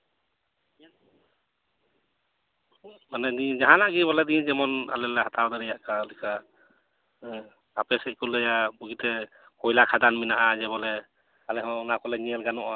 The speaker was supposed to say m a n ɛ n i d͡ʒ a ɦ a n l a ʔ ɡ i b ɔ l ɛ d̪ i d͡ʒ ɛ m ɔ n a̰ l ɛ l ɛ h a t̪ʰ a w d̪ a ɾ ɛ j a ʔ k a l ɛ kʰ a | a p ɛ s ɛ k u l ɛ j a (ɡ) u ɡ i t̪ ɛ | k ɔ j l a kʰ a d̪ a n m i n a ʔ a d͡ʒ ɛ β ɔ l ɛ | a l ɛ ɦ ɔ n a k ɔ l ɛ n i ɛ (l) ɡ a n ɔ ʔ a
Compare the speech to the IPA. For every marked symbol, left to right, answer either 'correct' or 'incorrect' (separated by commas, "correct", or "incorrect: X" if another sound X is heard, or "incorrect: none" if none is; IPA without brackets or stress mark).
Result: incorrect: b, correct